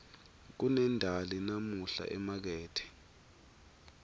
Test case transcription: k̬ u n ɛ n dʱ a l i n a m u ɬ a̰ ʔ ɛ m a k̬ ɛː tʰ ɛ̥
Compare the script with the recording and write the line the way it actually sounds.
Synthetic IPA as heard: k̬ u n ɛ n dʱ a l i n a m u ɬ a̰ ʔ ɛ m a k̬ ɛː tʰ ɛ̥